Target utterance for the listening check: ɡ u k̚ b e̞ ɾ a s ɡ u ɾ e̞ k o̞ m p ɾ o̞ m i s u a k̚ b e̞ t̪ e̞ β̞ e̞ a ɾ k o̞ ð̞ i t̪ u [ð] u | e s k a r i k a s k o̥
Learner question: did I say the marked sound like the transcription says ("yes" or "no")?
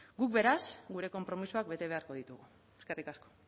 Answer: no